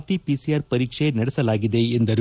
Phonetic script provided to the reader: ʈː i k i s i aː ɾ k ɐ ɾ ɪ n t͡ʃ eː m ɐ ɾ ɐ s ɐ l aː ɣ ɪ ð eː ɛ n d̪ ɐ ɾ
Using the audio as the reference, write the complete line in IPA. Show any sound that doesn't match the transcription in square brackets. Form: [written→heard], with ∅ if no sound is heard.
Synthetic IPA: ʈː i [k→p] i s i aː ɾ [k→p] ɐ ɾ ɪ [n→∅] t͡ʃ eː [m→n] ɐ [ɾ→ɽ] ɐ s ɐ l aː ɣ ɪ ð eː ɛ n d̪ ɐ ɾ